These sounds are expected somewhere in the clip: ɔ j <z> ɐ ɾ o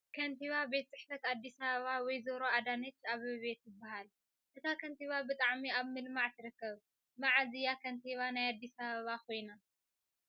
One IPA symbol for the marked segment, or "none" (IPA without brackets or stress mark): z